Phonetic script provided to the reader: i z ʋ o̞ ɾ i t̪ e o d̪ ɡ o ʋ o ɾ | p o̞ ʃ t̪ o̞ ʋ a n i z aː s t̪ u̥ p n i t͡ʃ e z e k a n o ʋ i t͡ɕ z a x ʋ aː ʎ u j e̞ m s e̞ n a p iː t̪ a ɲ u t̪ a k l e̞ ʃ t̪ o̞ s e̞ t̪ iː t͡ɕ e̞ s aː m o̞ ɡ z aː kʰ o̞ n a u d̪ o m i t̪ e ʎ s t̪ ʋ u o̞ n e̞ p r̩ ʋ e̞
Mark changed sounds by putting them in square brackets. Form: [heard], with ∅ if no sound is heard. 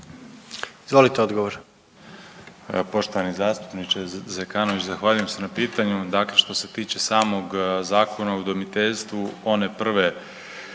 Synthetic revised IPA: i z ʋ o̞ [l] i t̪ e o d̪ ɡ o ʋ o ɾ | p o̞ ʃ t̪ o̞ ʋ a n i z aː s t̪ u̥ p n i t͡ʃ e z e k a n o ʋ i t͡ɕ z a x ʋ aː ʎ u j e̞ m s e̞ n a p iː t̪ a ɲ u [d̪] a k l e̞ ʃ t̪ o̞ s e̞ t̪ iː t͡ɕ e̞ s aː m o̞ ɡ z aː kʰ o̞ n a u d̪ o m i t̪ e ʎ s t̪ ʋ u o̞ n e̞ p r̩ ʋ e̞